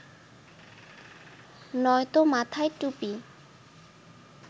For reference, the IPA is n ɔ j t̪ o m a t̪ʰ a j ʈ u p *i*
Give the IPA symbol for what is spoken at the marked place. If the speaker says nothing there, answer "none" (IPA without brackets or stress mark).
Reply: i